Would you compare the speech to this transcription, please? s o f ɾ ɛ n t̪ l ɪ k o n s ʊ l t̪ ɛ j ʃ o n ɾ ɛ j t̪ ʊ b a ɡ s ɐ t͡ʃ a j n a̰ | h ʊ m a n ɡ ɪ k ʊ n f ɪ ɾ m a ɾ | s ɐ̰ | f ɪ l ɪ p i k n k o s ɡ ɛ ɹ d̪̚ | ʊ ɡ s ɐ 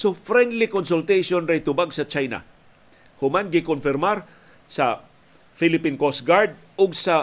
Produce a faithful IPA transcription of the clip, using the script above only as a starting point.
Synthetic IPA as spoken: s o f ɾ ɛ n d̪ l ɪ k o n s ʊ l t̪ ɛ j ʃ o n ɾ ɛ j t̪ ʊ b a ɡ s ɐ t͡ʃ a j n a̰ | h ʊ m a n ɡ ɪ k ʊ n f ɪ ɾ m a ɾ | s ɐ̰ | f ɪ l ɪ p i n k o s ɡ a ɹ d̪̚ | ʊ ɡ s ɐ